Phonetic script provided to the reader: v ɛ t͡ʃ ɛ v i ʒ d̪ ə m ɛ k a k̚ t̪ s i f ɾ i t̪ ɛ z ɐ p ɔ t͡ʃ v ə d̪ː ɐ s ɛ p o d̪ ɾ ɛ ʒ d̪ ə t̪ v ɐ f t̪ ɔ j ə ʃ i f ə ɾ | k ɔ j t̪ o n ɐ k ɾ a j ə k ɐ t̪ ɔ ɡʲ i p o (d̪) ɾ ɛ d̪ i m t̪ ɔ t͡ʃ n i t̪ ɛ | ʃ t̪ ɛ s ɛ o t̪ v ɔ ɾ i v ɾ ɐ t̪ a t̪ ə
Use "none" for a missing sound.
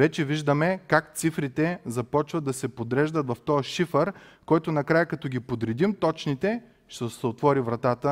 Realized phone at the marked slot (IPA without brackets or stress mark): d̪